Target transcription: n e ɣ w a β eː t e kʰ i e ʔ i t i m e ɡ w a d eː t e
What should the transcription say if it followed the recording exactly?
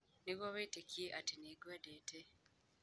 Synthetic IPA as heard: n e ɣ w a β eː t e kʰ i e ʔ a t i n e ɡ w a d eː t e